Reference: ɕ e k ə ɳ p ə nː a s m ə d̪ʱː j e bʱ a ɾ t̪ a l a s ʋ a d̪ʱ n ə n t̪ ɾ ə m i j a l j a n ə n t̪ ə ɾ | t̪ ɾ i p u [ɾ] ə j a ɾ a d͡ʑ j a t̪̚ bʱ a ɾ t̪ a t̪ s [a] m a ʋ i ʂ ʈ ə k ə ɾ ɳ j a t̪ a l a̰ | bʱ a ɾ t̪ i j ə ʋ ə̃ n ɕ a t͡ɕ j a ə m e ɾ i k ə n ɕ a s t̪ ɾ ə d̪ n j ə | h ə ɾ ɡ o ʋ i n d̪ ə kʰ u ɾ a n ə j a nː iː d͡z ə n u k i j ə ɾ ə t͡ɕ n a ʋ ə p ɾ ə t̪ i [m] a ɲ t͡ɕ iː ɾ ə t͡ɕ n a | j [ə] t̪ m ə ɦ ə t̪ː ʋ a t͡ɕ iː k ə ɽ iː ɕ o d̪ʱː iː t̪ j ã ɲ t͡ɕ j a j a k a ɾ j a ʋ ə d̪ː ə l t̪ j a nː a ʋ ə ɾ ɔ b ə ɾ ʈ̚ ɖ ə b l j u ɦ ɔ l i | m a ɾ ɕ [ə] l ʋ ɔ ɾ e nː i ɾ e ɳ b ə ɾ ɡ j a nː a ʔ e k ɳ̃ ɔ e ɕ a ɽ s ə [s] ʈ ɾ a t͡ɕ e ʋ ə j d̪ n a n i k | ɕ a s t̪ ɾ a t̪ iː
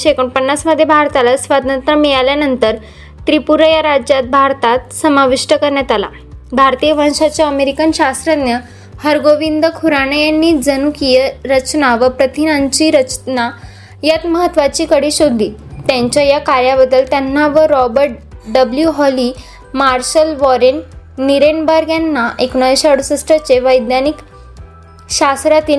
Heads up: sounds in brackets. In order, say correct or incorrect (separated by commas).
correct, incorrect, incorrect, incorrect, correct, correct